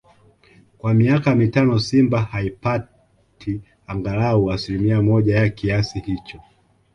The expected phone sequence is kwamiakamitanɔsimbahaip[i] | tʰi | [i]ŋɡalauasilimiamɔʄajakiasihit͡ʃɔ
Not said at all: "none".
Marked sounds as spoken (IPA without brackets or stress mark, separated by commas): a, a